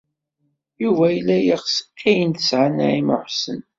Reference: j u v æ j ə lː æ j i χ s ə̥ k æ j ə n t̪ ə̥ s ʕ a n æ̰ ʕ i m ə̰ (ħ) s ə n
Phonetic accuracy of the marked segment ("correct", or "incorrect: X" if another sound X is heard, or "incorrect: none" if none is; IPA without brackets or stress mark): correct